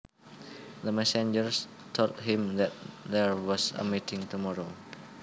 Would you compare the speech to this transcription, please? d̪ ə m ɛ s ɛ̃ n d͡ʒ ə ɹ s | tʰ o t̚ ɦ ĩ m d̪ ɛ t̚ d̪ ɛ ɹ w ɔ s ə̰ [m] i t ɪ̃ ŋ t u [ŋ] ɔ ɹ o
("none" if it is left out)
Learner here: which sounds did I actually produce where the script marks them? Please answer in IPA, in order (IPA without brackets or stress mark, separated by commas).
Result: m, m